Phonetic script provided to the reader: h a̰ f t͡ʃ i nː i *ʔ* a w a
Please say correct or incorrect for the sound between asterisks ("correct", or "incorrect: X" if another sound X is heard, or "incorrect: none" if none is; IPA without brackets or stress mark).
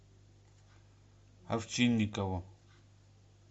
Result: incorrect: k